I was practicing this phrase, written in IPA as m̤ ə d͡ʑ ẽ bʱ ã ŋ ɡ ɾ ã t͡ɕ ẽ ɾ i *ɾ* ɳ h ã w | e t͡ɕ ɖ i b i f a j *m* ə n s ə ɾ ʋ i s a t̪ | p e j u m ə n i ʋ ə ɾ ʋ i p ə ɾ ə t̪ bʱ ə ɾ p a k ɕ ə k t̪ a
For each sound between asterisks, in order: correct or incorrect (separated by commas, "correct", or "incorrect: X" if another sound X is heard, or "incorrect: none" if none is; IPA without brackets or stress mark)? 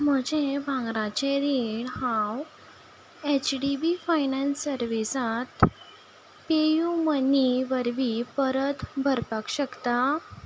incorrect: none, incorrect: n